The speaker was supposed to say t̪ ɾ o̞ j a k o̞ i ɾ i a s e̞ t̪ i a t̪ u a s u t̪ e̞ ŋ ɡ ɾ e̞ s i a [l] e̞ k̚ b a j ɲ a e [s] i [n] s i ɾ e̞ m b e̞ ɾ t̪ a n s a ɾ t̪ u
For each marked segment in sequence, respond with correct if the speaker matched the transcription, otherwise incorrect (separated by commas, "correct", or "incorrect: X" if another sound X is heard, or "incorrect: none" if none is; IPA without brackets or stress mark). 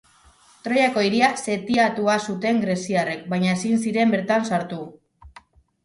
incorrect: r, correct, correct